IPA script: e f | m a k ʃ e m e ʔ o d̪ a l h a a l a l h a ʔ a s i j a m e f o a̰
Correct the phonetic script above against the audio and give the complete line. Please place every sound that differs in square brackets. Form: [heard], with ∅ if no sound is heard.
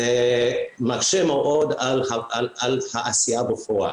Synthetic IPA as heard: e [∅] | m a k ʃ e m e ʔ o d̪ a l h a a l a l h a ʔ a s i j a [b] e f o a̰